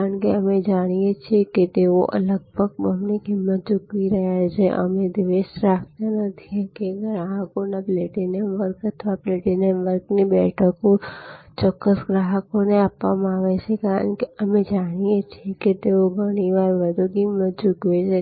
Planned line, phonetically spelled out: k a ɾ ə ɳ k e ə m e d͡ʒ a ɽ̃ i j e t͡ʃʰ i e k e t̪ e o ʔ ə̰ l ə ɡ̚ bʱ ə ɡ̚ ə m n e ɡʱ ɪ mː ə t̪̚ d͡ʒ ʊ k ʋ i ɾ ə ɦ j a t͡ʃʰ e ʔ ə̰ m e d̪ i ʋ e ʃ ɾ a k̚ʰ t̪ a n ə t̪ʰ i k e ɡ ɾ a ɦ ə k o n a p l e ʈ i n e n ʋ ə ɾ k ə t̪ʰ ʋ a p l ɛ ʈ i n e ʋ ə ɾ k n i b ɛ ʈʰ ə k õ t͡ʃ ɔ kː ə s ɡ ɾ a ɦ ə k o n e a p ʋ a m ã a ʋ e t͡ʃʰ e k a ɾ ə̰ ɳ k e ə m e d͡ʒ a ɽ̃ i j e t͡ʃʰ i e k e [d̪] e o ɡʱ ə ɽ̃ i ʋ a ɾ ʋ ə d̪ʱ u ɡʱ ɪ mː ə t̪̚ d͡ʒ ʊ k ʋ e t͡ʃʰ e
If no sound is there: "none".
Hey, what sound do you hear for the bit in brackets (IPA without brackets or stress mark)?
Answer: t̪